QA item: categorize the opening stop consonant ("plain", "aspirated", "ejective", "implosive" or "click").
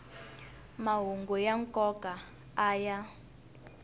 plain